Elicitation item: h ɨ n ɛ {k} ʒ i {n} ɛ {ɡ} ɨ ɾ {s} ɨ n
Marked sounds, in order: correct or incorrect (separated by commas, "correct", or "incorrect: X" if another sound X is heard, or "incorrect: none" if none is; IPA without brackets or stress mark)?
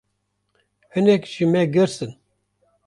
correct, incorrect: m, correct, correct